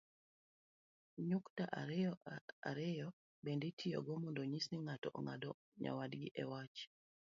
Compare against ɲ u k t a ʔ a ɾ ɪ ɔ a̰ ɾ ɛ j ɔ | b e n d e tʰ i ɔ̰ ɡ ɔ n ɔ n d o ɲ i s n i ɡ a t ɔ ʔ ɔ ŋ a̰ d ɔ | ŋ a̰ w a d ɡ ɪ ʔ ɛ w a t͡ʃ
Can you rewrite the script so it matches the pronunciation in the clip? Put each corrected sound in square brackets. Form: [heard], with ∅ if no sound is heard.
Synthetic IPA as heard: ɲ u k t a ʔ a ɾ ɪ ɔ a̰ ɾ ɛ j ɔ | b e n d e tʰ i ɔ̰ ɡ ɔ [m] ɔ n d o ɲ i s n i [ŋ] a t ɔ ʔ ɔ ŋ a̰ d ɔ | [ɲ] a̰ w a d ɡ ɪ ʔ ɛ w a t͡ʃ